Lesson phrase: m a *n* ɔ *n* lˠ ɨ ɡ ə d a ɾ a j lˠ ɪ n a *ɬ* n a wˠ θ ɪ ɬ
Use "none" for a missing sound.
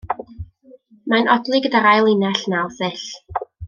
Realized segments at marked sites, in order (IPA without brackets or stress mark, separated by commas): n, d, ɬ